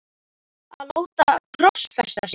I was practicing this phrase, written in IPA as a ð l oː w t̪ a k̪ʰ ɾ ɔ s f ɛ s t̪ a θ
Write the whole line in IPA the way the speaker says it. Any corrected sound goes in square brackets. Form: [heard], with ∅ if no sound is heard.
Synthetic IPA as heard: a ð l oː w t̪ a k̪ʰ ɾ ɔ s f ɛ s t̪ a [s]